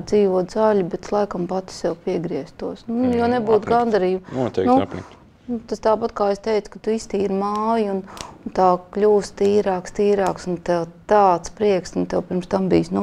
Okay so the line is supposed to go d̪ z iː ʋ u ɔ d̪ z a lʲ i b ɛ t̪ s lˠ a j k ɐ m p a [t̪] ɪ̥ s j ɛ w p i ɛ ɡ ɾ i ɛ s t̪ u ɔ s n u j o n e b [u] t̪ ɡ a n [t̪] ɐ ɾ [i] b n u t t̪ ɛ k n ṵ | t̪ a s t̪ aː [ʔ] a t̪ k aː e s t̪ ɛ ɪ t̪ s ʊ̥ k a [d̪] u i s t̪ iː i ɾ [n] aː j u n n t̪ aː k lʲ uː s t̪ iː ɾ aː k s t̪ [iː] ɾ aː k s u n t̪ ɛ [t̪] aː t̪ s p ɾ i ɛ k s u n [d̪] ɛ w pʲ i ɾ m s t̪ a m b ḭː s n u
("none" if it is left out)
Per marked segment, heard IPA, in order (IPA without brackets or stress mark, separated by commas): t̪, uː, d̪, iː, p, t̪, m, iː, t̪, t̪